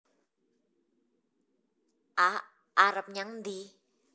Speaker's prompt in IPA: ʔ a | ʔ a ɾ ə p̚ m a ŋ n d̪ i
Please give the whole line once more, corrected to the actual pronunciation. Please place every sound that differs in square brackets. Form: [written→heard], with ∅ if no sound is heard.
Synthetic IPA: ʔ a | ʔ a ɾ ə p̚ [m→ɲ] a ŋ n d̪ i